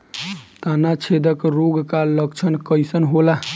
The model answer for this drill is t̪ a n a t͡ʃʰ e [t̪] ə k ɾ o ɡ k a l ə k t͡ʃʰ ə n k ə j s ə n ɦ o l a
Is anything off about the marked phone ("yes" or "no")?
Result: yes